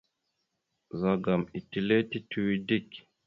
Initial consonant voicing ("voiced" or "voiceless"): voiced